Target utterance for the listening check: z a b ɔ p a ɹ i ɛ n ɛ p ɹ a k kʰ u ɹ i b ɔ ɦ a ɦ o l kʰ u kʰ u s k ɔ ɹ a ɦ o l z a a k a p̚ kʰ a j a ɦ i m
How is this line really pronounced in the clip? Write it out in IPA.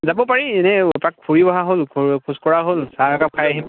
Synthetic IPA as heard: z a b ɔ p a ɹ i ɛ n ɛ p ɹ a k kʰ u ɹ i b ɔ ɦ a ɦ o l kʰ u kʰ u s k ɔ ɹ a ɦ o l s a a k a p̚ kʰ a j a ɦ i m